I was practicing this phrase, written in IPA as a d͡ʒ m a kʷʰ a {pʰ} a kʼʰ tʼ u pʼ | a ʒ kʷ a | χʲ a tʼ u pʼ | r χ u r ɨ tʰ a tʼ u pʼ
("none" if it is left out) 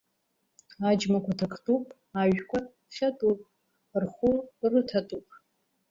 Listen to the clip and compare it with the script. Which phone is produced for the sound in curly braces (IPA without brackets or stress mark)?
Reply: tʰ